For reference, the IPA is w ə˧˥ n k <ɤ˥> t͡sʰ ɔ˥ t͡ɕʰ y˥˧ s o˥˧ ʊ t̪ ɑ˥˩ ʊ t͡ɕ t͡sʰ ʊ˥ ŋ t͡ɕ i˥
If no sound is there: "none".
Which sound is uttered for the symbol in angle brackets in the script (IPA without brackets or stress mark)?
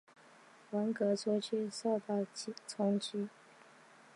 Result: ɤ˧˥